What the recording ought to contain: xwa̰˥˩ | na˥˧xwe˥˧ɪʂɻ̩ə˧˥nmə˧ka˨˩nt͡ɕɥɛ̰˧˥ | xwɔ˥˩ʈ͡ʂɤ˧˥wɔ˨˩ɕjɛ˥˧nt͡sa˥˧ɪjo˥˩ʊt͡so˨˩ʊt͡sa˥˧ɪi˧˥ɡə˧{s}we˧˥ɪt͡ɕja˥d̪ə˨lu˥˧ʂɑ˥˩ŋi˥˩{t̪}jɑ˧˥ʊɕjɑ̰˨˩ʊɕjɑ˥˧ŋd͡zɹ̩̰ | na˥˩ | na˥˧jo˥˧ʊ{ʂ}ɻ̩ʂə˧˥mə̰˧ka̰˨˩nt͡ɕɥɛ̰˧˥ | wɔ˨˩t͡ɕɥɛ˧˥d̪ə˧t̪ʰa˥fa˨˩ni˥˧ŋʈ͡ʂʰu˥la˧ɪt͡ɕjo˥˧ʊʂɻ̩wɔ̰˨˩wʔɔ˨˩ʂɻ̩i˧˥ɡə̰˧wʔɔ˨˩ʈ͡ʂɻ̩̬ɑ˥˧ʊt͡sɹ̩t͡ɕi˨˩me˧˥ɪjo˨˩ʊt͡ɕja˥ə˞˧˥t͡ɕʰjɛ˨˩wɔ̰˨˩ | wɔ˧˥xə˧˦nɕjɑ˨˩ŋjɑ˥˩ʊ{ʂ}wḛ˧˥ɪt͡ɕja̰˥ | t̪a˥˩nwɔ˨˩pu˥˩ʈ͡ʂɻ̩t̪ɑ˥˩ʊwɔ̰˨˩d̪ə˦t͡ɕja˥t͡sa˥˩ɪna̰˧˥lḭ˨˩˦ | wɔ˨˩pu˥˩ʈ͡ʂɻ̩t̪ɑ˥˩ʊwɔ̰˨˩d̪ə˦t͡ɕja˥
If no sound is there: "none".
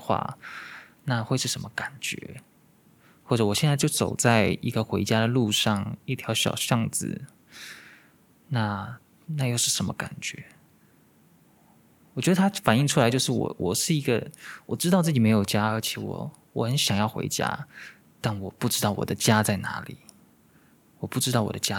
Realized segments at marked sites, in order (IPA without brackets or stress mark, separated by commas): x, t̪ʰ, ʂ, x